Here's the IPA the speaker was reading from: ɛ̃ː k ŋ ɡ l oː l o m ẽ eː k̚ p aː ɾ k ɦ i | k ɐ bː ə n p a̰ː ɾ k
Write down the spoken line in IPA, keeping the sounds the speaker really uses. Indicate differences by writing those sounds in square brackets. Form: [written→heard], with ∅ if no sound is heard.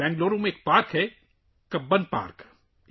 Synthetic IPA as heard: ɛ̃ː [k→∅] ŋ ɡ l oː [l→ɾ] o m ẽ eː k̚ p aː ɾ k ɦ [i→ɛ] | k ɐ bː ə n p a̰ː ɾ k